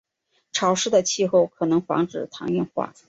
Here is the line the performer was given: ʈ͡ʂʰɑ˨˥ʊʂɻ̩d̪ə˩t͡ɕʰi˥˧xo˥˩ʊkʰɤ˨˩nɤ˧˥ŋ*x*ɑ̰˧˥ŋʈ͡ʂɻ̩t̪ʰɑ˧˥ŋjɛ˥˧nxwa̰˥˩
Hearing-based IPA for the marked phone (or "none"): f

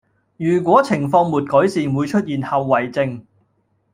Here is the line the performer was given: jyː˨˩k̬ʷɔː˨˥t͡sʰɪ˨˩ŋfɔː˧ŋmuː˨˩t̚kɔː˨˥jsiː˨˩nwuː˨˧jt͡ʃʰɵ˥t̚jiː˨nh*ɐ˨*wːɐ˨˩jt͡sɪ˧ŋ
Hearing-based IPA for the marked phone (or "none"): ɐ˨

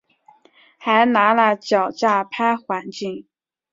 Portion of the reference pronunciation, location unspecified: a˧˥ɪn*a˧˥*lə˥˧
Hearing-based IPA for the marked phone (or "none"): a˧˥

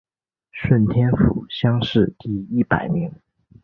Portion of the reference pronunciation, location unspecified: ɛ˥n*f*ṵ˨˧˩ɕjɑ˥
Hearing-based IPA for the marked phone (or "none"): f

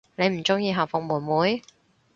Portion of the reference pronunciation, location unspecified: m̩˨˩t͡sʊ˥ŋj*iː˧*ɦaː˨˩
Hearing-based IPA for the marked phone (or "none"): iː˧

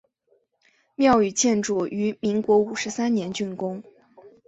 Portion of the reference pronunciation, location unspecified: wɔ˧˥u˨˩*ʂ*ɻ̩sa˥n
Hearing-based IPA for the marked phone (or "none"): ʂ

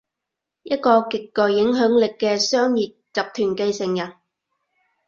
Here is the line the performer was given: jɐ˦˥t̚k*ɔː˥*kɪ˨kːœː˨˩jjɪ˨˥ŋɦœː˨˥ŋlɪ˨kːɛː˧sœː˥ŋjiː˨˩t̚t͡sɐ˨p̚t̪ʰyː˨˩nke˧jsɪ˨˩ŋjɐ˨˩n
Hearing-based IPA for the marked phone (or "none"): ɔː˧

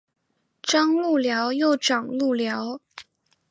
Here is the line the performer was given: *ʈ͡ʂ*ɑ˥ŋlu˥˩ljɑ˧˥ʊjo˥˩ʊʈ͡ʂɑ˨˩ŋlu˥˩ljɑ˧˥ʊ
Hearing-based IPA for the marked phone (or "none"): ʈ͡ʂ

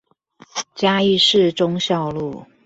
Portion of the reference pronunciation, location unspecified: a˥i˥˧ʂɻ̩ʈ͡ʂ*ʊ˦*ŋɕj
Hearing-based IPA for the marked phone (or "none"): ʊ˦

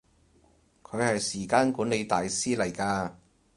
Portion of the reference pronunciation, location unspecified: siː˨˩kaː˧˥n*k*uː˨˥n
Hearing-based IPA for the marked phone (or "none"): k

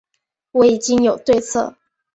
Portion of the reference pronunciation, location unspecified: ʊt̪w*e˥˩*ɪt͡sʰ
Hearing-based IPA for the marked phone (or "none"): e˥˧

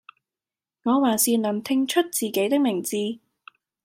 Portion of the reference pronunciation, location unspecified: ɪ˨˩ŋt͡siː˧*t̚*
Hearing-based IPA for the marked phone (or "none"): none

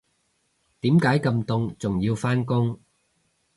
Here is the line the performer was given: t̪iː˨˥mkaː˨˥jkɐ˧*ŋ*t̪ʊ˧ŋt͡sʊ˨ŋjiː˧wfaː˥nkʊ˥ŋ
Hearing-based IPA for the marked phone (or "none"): m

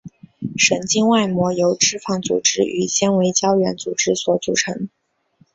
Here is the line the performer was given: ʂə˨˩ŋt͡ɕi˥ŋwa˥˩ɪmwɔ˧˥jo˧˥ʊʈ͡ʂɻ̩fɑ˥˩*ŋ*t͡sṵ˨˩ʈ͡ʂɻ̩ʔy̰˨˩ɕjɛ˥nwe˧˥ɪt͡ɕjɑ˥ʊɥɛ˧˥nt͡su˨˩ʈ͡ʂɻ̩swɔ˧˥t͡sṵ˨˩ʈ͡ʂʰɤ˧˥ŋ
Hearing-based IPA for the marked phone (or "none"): ŋ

